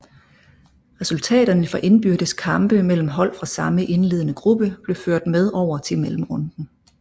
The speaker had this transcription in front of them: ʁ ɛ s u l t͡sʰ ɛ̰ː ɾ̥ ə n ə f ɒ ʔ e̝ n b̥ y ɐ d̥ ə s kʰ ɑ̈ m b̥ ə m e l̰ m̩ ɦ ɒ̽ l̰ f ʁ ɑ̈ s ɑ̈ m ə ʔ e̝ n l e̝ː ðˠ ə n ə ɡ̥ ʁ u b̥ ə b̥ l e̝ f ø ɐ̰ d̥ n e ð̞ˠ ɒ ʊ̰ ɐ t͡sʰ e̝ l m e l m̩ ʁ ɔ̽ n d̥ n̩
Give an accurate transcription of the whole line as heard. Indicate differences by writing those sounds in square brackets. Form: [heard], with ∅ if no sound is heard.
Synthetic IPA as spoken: ʁ ɛ s u l t͡sʰ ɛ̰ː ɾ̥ [ɐ] n ə f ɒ ʔ e̝ n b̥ y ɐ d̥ ə s kʰ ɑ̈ m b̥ ə m e l̰ m̩ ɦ ɒ̽ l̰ f ʁ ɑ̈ s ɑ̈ m ə ʔ e̝ n l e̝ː ðˠ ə n ə ɡ̥ ʁ u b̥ ə b̥ l e̝ f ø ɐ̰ d̥ [m] e ð̞ˠ ɒ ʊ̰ ɐ t͡sʰ e̝ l m e l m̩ ʁ ɔ̽ n d̥ n̩